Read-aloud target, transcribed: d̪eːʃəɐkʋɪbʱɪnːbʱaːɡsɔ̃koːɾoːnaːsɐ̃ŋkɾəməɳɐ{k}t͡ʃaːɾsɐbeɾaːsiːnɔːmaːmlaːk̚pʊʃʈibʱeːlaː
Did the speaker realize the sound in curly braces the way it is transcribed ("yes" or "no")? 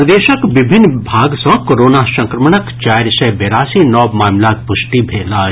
yes